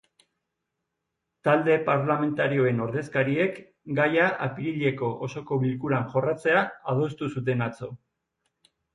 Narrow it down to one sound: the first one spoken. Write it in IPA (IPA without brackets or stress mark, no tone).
t̪